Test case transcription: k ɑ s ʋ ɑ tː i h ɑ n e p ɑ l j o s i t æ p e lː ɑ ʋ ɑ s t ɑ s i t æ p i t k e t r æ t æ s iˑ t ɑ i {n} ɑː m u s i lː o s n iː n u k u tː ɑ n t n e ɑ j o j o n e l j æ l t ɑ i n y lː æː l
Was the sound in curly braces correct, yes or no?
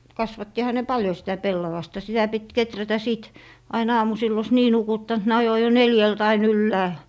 yes